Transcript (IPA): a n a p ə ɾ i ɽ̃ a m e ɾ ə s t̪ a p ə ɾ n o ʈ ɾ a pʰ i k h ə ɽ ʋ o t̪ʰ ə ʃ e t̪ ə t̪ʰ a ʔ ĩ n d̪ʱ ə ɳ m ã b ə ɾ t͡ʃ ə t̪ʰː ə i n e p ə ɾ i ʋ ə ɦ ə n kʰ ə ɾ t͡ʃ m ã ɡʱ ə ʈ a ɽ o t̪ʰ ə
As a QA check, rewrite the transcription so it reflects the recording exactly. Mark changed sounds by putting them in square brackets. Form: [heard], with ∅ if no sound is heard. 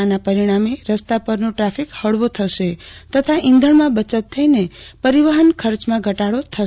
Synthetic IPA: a n a p ə ɾ i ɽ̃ a m e ɾ ə s t̪ a p ə ɾ n o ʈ ɾ a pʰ i k h ə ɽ ʋ o t̪ʰ ə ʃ e t̪ ə t̪ʰ a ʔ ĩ n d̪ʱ ə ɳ m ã b ə [∅] t͡ʃ ə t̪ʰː ə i n e p ə ɾ i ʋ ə ɦ ə n kʰ ə ɾ t͡ʃ m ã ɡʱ ə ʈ a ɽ o t̪ʰ ə

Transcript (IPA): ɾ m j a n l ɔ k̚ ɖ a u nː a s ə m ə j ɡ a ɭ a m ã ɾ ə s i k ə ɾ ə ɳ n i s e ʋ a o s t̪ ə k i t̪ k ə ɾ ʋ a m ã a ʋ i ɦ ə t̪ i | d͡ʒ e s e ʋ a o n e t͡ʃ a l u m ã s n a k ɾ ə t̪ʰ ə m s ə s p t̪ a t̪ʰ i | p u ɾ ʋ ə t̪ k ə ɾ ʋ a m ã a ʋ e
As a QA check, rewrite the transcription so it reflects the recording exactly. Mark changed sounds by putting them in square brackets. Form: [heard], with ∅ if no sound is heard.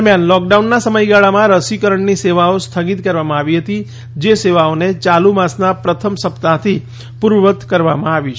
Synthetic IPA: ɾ m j a n l ɔ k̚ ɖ a u nː a s ə m ə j ɡ a ɭ a m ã ɾ ə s i k ə ɾ ə ɳ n i s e ʋ a o s [t̪ʰ] ə [ɡ] i t̪ k ə ɾ ʋ a m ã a ʋ i ɦ ə t̪ i | d͡ʒ e s e ʋ a o n e t͡ʃ a l u m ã s n a [p] ɾ ə t̪ʰ ə m s ə [∅] p t̪ a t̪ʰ i | p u ɾ ʋ ə t̪ k ə ɾ ʋ a m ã a ʋ [i]

